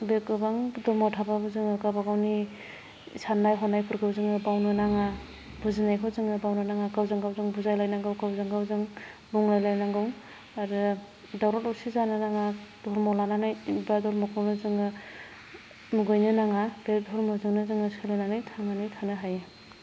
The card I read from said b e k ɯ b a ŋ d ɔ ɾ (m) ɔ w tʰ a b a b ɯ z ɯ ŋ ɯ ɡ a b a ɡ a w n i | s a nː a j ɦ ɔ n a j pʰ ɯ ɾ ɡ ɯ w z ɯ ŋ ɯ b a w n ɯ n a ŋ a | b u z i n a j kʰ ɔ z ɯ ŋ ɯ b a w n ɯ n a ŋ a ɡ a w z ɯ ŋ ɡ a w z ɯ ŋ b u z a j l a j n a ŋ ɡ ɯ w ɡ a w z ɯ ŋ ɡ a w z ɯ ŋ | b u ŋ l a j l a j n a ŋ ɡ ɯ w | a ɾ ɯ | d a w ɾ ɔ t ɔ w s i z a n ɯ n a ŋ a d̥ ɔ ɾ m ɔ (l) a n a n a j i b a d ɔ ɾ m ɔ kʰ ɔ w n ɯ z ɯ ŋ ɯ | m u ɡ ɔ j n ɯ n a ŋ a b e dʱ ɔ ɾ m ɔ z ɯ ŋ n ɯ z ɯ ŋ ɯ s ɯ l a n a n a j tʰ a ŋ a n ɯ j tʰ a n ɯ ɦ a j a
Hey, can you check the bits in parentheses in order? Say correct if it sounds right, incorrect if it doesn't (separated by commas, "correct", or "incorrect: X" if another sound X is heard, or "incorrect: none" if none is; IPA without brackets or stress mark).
correct, correct